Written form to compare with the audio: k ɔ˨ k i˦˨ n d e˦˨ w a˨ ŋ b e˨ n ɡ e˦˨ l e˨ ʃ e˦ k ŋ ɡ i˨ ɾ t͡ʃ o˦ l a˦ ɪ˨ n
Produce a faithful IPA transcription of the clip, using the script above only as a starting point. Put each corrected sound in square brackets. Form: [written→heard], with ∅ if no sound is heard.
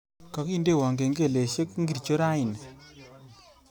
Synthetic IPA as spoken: k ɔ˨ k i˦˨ n d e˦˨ w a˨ ŋ [b→ɡ] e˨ [n→ŋ] ɡ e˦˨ l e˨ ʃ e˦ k ŋ ɡ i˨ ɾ t͡ʃ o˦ [l→ɾ] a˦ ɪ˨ n